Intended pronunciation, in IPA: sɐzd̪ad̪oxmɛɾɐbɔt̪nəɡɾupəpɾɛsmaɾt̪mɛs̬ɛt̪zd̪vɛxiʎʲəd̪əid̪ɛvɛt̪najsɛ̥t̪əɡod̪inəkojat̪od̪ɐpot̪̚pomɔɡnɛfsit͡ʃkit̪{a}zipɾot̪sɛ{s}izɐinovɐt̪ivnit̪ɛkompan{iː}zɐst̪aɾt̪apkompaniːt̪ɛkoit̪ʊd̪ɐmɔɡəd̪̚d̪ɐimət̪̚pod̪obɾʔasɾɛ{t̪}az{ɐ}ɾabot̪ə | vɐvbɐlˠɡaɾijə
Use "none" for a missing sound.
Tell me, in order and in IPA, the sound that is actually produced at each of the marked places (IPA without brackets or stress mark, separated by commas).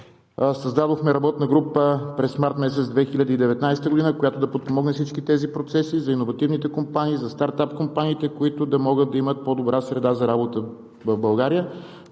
ɛ, s, iː, d̪, ɐ